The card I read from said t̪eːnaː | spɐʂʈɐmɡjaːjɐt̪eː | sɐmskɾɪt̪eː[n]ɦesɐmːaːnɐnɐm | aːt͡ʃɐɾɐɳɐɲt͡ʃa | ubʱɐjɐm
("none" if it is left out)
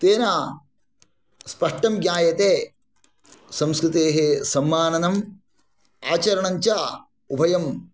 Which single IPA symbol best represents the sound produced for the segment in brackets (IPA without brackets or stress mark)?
none